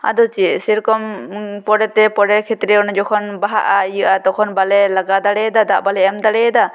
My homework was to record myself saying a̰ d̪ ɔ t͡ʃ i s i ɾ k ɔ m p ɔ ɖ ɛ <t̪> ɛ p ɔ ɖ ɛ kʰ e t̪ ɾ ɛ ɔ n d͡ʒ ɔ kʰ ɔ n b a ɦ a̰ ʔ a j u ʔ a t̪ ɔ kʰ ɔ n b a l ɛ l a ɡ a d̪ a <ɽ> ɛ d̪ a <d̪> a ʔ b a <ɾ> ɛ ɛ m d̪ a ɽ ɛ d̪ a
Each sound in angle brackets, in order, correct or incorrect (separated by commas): correct, correct, correct, incorrect